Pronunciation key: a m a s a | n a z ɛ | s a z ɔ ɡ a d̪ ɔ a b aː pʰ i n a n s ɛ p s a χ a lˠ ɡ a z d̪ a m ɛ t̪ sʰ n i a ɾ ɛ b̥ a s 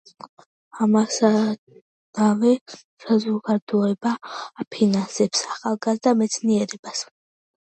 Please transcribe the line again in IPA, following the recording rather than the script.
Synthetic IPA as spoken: a m a s a | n a v ɛ | s a z ɔ ɡ a d̪ ɔ ɛ b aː pʰ i n a n s ɛ p s a χ a lˠ ɡ a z d̪ a m ɛ t̪ sʰ n i ɛ ɾ ɛ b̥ a s